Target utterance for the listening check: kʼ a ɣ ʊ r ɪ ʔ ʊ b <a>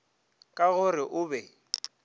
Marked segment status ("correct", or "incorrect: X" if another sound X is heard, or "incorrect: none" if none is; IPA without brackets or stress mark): incorrect: ɛ